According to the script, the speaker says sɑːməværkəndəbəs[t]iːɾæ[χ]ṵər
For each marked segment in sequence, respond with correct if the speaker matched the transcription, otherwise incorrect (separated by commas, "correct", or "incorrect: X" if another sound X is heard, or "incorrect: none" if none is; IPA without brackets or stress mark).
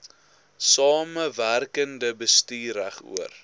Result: correct, correct